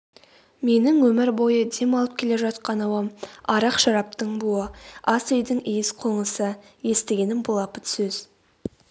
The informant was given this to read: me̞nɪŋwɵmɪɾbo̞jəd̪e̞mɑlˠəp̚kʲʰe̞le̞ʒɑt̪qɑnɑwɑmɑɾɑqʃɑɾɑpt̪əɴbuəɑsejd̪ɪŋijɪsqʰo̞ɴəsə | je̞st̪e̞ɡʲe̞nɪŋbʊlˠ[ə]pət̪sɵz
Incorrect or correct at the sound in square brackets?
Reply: incorrect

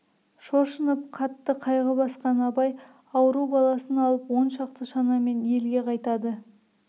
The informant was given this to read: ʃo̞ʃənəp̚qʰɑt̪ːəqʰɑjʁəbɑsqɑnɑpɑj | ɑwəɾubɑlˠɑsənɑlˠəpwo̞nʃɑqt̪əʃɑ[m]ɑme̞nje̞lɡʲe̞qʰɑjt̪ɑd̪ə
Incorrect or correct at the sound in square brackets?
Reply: incorrect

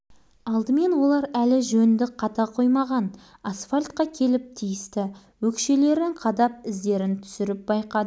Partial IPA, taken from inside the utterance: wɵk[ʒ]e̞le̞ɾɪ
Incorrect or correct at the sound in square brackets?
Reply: incorrect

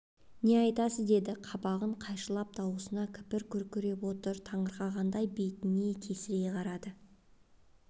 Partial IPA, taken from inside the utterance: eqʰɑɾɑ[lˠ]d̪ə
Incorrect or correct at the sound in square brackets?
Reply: incorrect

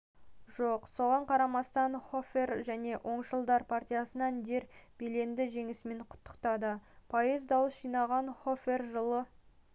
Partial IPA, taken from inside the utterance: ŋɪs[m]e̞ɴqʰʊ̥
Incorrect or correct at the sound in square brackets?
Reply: correct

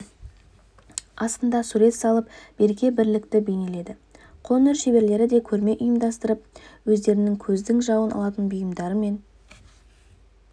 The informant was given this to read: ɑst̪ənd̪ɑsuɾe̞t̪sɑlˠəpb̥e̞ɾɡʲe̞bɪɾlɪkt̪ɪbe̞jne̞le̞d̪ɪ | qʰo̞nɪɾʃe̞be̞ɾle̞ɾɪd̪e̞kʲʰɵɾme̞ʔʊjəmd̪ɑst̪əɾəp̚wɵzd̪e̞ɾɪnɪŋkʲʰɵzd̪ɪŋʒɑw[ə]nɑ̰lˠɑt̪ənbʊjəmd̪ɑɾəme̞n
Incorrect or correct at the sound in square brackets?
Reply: correct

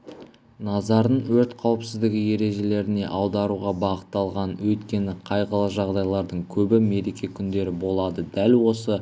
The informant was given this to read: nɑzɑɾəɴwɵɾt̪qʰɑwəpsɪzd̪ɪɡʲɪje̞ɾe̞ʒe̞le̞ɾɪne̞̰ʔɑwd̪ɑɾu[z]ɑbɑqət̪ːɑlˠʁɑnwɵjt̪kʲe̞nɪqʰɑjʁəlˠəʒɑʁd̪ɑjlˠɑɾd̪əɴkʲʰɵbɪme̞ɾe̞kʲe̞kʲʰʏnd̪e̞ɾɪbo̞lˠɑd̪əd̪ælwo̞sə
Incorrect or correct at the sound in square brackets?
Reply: incorrect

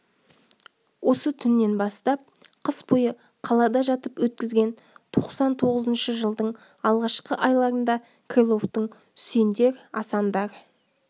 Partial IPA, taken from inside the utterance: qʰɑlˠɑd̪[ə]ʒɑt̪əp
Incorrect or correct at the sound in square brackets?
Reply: incorrect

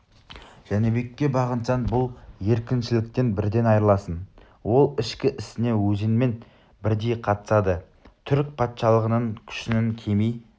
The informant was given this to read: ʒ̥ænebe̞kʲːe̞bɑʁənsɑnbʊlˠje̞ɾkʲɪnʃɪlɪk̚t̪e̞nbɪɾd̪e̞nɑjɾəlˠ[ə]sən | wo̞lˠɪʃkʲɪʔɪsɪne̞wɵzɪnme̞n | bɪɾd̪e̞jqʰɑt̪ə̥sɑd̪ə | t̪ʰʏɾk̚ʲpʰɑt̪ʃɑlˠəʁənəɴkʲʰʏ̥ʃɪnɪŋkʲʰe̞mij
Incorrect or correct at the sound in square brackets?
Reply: incorrect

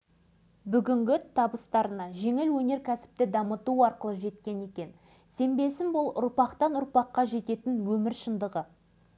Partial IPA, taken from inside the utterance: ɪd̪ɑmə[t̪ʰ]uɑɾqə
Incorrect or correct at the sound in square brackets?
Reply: incorrect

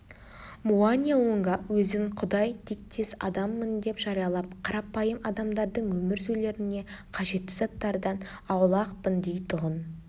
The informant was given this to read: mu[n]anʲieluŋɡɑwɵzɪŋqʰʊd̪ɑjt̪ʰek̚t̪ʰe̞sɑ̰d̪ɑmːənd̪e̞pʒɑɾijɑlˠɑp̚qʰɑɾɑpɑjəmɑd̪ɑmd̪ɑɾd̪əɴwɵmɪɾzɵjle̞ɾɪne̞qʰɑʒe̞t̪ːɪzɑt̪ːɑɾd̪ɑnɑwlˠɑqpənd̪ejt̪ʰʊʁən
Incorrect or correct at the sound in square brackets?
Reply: incorrect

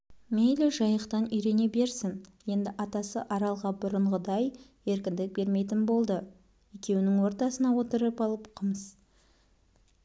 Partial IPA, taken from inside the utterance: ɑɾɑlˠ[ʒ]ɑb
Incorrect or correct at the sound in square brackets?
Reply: incorrect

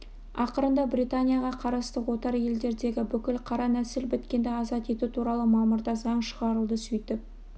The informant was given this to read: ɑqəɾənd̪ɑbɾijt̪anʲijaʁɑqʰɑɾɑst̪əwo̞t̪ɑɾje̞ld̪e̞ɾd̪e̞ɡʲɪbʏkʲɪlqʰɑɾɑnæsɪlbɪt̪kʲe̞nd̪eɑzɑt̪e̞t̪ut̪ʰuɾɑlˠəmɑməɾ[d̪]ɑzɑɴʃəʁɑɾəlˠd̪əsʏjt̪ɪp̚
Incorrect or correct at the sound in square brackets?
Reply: correct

